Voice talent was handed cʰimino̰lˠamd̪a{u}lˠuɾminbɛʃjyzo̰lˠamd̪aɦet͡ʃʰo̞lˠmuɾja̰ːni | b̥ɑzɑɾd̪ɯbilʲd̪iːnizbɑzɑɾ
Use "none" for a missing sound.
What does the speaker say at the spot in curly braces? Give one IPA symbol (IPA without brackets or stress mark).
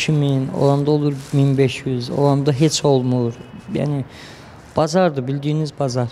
o